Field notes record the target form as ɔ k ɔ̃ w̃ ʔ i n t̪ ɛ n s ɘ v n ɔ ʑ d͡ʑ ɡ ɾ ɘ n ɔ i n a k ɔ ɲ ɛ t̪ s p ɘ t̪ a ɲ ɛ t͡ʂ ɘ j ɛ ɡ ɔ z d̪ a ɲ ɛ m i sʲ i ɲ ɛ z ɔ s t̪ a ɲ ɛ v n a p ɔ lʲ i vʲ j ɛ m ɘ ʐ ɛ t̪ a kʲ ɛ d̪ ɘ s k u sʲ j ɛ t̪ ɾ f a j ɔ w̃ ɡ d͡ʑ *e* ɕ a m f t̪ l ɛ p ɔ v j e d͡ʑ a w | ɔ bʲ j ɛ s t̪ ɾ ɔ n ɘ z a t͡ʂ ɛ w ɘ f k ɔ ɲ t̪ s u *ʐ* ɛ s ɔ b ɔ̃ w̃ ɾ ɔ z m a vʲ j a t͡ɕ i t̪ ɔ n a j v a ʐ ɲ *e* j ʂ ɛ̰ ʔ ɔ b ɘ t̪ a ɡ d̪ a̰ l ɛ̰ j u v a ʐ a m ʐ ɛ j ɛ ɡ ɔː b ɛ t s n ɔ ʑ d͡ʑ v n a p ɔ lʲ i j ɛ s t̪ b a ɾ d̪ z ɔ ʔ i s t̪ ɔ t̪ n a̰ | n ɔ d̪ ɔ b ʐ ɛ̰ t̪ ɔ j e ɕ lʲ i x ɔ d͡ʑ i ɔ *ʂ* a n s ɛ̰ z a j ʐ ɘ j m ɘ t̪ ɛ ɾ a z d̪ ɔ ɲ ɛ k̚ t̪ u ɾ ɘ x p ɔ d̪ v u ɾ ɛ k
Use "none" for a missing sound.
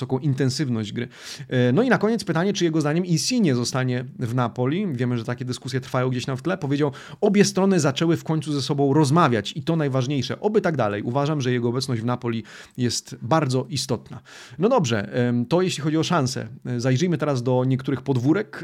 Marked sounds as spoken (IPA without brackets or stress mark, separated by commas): e, z, e, ʂ